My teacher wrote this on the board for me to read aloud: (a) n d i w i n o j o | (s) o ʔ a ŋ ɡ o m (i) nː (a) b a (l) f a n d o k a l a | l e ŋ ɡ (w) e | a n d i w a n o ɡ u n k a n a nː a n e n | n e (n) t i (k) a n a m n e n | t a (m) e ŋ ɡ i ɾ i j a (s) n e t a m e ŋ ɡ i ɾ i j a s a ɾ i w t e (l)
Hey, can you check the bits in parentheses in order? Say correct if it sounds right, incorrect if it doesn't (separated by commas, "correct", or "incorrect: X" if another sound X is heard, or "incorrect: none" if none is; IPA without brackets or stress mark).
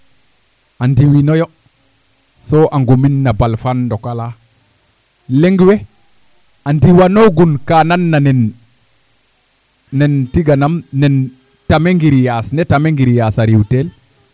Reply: correct, correct, correct, correct, correct, correct, correct, incorrect: ɡ, correct, correct, correct